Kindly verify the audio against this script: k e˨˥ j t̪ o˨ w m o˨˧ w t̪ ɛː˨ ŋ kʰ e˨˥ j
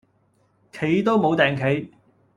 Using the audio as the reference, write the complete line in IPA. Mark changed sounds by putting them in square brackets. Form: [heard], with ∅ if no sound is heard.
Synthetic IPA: [kʰ] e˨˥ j t̪ [o˥] w m o˨˧ w t̪ ɛː˨ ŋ kʰ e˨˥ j